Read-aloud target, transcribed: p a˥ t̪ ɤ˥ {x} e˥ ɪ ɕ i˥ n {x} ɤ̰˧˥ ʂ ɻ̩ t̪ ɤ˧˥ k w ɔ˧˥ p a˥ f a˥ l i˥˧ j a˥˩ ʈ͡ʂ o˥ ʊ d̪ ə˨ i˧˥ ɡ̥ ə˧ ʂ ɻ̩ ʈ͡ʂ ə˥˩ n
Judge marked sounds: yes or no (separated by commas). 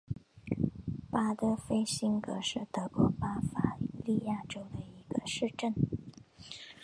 no, no